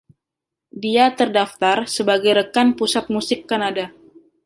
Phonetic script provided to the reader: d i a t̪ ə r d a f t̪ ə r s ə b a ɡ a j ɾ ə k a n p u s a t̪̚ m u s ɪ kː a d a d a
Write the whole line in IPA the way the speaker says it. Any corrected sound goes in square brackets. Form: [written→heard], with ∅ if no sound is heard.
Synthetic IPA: d i a t̪ ə r d a f t̪ [ə→a] r s ə b a ɡ a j ɾ ə k a n p u s a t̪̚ m u s ɪ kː a [d→n] a d a